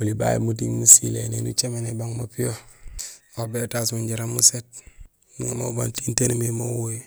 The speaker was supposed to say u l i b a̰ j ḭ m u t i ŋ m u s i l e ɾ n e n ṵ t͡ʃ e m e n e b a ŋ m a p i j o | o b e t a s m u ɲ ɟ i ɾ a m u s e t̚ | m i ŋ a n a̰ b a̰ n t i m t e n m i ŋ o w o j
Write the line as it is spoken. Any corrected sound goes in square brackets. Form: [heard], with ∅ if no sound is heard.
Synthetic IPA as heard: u l i b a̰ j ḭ m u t i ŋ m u s i l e [∅] n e n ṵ t͡ʃ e m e n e b a ŋ m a p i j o | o b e t a s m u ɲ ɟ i ɾ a m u s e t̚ | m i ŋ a [m] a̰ b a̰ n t i [n] t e n m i [m] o w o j